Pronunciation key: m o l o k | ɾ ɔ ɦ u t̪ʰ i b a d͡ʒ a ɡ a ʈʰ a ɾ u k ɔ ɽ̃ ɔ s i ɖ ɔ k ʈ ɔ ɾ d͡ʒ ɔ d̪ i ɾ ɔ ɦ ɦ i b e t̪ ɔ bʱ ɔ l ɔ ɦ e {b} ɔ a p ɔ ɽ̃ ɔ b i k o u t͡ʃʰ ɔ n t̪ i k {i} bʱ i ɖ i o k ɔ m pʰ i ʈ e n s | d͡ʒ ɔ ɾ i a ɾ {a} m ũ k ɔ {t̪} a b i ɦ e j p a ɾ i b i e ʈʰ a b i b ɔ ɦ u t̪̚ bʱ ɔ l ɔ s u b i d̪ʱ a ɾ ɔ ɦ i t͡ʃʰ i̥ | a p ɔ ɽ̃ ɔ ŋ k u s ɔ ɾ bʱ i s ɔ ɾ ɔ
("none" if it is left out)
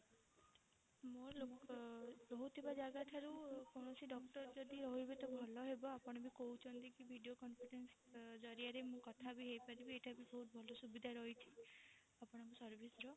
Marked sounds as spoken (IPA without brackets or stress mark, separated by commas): b, i, e, t̪ʰ